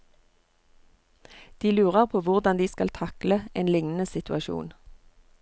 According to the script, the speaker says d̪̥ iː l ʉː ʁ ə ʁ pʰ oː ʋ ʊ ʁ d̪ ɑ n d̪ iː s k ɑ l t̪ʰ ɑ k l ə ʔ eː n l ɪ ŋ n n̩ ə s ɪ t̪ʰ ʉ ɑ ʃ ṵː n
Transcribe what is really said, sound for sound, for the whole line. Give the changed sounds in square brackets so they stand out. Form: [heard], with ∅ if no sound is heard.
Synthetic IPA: d̪̥ iː l ʉː ʁ ə ʁ pʰ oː ʋ ʊ ʁ d̪ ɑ n d̪ iː s k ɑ l t̪ʰ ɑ k l ə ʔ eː n l ɪ ŋ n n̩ ə s ɪ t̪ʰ ʉ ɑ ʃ ṵː n